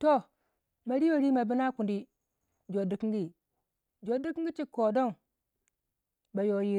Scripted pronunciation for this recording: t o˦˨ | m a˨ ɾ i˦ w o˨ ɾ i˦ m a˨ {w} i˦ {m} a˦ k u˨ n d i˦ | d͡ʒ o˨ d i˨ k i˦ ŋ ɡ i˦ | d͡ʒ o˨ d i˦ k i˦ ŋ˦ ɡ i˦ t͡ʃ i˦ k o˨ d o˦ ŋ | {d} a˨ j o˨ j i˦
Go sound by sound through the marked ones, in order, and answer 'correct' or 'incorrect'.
incorrect: b, incorrect: n, incorrect: b

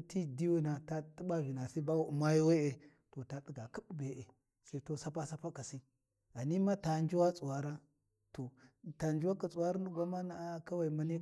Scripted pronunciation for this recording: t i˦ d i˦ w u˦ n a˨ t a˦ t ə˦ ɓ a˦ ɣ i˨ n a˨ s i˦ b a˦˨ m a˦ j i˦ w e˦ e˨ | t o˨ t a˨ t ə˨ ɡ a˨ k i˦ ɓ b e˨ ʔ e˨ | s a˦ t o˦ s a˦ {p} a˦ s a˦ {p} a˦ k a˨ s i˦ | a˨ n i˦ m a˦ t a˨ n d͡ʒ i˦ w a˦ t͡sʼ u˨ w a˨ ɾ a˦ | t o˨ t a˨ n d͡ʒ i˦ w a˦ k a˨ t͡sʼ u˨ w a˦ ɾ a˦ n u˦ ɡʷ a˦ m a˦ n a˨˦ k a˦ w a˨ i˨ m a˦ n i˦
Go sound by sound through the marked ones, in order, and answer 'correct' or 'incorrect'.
correct, correct

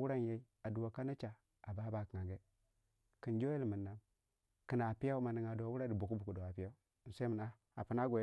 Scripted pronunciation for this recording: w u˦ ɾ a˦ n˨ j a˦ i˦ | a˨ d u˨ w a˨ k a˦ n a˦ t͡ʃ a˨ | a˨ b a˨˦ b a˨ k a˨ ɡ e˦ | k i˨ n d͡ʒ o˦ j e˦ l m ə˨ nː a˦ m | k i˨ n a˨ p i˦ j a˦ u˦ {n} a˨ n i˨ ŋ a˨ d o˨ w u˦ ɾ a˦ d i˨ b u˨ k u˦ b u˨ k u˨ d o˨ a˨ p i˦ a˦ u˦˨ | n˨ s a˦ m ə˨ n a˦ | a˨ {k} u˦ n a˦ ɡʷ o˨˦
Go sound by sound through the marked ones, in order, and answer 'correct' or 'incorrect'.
incorrect: m, incorrect: p

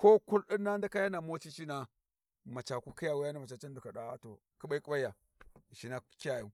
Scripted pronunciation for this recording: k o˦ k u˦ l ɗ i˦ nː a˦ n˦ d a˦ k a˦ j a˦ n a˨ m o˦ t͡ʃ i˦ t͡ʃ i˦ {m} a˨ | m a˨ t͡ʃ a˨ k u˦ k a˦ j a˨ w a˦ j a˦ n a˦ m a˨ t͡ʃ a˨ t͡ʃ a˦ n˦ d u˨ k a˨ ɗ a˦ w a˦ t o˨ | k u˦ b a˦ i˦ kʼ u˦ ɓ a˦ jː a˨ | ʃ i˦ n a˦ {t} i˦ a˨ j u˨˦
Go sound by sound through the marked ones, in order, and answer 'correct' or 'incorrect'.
incorrect: n, incorrect: k

